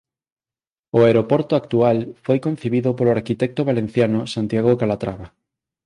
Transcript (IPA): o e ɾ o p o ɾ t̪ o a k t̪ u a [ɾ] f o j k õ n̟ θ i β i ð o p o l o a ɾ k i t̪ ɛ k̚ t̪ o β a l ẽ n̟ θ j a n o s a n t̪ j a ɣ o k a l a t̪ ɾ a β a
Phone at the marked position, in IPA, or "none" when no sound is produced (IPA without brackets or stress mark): l